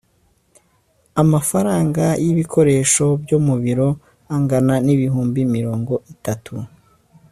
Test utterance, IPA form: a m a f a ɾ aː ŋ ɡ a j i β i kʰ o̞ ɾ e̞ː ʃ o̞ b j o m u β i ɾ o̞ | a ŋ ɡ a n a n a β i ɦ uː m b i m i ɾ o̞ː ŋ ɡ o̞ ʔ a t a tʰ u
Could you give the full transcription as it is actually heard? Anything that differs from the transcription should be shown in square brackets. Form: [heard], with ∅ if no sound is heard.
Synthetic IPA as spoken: a m a f a ɾ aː ŋ ɡ a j i β i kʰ o̞ ɾ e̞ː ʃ o̞ b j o m u β i ɾ o̞ | a ŋ ɡ a n a n [i] β i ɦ uː m b i m i ɾ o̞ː ŋ ɡ o̞ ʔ [i] t a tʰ u